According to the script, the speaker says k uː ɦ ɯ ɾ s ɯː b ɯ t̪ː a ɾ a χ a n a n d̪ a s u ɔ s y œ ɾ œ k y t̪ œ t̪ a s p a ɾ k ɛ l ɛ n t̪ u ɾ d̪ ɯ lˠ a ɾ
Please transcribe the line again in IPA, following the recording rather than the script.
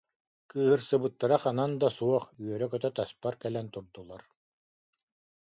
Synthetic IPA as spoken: k ɯː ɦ ɯ ɾ s ɯ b ɯ t̪ː a ɾ a χ a n a n d̪ a s u ɔ χ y œ ɾ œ k œ t̪ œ t̪ a s p a ɾ k ɛ l ɛ n t̪ u ɾ d̪ u lˠ a ɾ